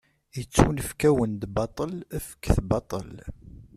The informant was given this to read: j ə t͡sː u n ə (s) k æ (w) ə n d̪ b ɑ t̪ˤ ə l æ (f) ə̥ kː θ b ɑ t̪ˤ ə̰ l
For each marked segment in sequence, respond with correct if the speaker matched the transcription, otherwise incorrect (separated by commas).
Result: incorrect, correct, correct